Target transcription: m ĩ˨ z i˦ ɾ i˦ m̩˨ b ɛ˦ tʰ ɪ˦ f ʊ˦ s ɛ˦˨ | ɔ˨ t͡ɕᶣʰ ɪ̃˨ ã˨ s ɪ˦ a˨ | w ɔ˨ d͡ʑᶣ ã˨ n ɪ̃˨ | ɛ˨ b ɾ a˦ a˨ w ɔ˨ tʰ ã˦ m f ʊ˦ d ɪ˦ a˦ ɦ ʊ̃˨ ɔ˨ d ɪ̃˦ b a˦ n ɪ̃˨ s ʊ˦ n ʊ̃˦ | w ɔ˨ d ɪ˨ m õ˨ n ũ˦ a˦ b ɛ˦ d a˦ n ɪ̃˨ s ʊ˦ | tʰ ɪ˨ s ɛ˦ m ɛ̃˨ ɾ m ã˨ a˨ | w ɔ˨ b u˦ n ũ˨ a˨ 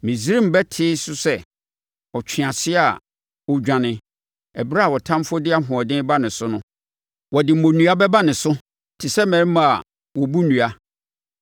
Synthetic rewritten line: m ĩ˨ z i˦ ɾ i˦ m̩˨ b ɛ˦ tʰ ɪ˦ s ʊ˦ s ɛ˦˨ | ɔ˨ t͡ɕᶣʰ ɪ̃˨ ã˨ s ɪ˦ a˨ | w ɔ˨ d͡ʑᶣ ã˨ n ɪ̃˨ | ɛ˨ b ɾ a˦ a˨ w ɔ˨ tʰ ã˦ m f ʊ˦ d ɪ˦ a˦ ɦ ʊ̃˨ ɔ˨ d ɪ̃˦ b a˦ n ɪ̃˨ s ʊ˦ n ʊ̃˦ | w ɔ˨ d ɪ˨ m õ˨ n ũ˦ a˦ b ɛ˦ b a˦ n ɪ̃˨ s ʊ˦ | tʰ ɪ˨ s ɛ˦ m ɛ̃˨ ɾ m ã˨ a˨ | w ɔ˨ b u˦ n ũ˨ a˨